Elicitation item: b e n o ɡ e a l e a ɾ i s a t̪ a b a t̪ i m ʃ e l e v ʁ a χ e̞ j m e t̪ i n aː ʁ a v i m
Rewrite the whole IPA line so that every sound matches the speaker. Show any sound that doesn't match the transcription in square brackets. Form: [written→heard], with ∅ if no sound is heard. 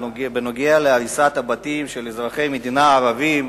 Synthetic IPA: b e n o ɡ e a l e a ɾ i s a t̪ a b a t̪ i m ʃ e l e [v→z] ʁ a χ e̞ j m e [t̪→d̪] i n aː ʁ a v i m